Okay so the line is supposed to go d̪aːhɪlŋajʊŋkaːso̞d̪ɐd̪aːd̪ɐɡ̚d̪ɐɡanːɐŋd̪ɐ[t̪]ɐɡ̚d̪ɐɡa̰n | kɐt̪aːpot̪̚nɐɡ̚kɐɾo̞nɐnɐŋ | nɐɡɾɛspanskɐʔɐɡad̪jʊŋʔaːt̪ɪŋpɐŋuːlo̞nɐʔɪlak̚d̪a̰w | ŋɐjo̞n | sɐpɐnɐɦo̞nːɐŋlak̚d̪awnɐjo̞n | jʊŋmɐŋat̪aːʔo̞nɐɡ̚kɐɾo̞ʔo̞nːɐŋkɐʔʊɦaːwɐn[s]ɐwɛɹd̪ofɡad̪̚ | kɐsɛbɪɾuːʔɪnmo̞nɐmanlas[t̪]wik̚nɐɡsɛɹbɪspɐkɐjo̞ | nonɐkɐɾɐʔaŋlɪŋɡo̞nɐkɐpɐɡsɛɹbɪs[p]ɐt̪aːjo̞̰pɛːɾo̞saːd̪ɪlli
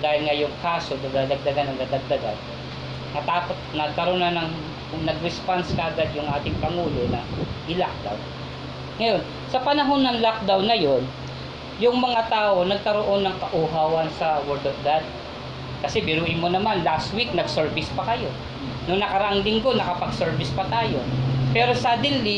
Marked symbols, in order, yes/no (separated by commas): no, yes, yes, yes